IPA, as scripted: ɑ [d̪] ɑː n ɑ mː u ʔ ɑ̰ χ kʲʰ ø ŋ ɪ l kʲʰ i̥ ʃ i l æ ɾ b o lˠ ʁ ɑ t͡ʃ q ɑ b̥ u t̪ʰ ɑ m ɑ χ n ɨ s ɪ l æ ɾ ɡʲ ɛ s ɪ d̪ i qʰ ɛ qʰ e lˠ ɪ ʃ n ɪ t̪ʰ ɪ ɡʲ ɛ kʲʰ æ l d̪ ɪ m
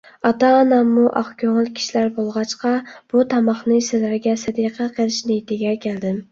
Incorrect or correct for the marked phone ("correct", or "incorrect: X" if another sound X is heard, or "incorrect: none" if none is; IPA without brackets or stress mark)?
incorrect: t̪